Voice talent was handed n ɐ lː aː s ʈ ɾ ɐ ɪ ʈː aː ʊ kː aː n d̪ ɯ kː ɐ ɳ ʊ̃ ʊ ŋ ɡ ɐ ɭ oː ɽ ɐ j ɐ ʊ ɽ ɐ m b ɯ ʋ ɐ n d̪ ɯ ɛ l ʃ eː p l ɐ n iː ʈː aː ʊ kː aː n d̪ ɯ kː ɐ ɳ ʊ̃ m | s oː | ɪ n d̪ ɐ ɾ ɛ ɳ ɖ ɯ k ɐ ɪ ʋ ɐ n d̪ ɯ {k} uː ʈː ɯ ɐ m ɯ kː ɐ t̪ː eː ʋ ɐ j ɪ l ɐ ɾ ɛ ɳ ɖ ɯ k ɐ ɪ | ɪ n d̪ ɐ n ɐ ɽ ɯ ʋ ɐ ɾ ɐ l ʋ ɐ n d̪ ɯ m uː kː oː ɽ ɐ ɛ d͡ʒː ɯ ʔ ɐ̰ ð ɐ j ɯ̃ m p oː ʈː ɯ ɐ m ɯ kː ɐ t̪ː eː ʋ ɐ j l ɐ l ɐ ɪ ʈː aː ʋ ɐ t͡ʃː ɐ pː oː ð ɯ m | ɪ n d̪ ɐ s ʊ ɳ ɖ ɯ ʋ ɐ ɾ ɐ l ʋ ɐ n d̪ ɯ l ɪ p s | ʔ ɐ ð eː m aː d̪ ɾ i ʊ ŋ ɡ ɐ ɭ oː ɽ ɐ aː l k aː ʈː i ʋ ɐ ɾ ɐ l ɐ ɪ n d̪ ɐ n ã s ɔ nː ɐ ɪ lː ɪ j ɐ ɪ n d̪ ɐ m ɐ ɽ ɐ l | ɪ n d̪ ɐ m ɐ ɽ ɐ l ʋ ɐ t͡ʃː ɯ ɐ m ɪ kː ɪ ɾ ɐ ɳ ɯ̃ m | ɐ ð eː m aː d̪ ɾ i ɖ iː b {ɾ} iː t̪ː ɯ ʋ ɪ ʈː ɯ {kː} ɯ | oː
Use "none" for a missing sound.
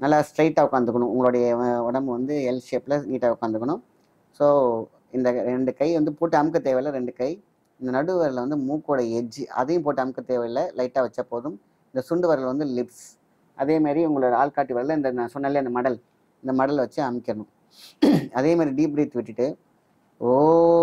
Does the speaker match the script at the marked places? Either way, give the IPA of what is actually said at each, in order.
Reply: p, ɾ, ʈː

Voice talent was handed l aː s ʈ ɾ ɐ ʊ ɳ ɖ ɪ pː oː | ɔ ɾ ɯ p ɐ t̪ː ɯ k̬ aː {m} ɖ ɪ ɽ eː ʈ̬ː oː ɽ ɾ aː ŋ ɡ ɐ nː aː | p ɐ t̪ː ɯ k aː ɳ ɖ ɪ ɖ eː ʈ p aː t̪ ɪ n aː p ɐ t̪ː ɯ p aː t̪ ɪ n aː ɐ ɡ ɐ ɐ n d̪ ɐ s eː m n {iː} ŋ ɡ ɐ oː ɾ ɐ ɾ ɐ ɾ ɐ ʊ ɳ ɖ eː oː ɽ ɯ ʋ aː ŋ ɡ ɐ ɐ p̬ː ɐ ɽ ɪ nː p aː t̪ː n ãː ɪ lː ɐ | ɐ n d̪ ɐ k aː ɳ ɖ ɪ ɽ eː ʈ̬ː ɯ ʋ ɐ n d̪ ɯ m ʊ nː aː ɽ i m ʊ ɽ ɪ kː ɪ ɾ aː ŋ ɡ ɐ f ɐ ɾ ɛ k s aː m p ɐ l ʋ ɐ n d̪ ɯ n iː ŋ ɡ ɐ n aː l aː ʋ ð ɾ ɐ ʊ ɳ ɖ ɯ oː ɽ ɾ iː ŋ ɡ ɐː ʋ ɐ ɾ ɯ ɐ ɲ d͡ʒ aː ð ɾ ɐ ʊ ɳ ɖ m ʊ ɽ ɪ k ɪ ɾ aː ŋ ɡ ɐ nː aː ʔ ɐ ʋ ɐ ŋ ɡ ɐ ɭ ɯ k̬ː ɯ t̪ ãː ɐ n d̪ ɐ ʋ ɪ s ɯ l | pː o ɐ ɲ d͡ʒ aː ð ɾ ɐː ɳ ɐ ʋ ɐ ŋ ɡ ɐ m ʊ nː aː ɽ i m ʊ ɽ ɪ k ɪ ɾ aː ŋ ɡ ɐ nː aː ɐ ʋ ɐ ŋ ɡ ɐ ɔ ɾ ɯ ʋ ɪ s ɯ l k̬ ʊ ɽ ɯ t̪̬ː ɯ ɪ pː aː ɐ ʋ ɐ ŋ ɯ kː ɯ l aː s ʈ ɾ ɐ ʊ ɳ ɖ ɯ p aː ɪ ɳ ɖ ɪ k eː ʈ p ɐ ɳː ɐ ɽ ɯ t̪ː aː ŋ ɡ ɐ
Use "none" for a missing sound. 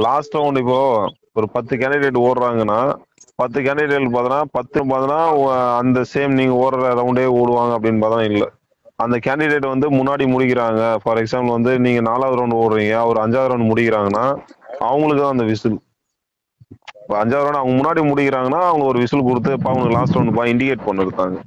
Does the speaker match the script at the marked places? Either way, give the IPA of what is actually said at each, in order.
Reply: ɳ, iː

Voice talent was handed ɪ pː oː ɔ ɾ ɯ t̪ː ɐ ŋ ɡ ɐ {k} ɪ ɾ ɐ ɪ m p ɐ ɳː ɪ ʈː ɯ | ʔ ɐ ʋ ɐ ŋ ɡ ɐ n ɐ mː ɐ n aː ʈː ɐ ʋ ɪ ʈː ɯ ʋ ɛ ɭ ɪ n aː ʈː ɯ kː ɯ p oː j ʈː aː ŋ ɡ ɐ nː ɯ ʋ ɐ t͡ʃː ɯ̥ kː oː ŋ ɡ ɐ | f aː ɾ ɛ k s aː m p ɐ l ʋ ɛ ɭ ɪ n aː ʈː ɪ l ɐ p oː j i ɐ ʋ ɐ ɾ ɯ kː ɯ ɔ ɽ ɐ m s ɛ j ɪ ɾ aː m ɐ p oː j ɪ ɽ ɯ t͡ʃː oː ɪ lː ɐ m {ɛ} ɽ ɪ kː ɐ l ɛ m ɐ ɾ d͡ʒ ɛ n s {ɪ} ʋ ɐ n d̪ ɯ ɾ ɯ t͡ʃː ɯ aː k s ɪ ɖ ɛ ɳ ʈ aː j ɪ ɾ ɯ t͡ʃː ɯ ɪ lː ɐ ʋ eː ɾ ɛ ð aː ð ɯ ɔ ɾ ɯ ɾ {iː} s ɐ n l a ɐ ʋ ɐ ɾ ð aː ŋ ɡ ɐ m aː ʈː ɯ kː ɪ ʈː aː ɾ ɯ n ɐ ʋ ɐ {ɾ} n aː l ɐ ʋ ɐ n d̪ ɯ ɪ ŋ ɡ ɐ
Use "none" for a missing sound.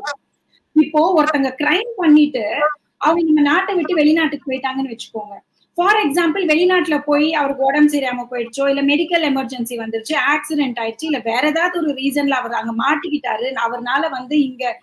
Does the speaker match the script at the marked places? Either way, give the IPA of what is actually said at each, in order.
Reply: k, ɛ, i, iː, ɾ

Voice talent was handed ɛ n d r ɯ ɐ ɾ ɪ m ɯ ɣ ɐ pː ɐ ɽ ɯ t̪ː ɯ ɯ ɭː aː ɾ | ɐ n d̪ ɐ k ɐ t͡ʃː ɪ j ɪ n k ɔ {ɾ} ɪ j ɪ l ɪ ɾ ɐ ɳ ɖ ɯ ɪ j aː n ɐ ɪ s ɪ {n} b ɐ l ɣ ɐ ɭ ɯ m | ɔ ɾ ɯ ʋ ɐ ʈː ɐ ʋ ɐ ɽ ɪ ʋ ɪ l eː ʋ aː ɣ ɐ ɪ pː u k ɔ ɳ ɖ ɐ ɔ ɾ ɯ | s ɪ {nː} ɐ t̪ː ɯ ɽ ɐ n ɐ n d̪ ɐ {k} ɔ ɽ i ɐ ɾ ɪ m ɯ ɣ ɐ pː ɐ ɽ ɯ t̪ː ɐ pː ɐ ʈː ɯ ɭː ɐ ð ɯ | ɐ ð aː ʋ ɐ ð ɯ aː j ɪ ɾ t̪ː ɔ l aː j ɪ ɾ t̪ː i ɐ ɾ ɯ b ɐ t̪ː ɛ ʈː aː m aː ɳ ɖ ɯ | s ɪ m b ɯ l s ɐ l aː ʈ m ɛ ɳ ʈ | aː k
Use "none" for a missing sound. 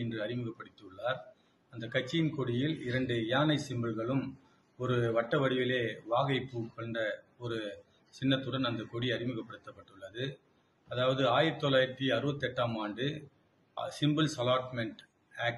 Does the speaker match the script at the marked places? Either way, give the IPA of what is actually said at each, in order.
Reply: ɽ, m, nː, k

